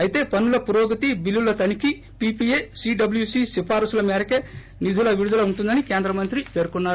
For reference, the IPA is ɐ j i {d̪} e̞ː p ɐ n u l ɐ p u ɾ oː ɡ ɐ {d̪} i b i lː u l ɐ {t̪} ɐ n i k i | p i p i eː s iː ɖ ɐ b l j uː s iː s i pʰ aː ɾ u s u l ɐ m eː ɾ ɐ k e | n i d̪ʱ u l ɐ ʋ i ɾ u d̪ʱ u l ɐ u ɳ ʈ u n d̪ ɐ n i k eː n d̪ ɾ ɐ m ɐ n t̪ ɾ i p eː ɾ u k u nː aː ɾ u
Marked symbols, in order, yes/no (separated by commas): no, no, yes